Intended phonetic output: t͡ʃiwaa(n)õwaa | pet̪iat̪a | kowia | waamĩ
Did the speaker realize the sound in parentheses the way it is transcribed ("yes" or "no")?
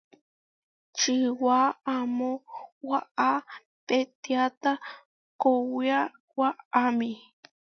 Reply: no